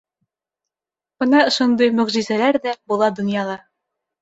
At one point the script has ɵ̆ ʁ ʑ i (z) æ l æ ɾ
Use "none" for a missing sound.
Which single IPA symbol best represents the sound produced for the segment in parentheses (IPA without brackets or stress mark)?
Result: z